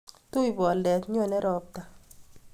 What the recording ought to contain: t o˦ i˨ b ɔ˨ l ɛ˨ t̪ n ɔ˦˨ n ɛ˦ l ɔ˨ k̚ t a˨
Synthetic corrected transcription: t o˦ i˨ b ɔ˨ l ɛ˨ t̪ ɲ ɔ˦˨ n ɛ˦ ɾ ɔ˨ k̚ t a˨